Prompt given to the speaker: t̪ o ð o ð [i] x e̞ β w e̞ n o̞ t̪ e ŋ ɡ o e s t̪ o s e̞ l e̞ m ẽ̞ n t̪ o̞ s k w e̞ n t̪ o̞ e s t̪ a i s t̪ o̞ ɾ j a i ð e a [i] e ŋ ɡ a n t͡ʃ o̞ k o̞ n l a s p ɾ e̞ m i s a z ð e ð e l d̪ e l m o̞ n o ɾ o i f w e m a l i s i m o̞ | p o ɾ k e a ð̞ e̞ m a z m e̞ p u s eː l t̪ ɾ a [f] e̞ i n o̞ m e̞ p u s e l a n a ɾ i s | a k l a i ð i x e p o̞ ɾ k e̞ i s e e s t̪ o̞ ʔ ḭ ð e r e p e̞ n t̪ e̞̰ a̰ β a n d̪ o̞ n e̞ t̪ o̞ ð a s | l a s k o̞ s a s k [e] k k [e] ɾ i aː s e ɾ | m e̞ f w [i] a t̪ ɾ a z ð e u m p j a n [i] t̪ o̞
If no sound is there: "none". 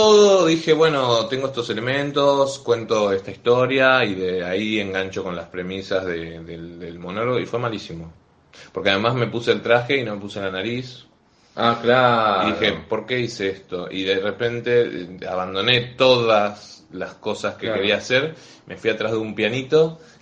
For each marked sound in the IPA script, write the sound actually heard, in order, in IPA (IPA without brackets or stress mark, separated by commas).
i, i, x, e, e, i, i